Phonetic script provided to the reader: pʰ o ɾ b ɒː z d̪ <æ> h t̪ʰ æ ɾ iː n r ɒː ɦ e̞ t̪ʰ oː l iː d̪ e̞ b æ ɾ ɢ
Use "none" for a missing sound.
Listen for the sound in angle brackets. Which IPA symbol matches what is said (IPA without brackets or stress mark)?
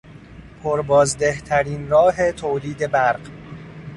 e